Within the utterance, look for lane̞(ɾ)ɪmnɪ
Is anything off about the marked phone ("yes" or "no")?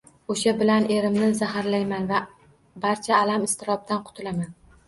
no